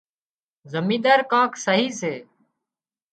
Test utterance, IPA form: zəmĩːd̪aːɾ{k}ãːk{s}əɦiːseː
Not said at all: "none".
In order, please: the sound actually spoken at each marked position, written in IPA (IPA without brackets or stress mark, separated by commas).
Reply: k, s